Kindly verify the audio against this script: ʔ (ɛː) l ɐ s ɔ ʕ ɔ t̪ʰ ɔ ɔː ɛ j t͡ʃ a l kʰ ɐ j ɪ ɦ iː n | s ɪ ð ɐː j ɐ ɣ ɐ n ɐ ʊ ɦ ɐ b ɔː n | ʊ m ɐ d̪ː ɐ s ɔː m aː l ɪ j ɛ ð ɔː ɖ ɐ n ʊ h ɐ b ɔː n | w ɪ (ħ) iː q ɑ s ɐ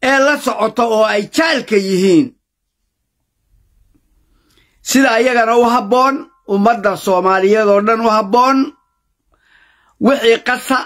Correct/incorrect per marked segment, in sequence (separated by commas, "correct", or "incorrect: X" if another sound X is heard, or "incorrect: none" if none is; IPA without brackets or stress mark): correct, correct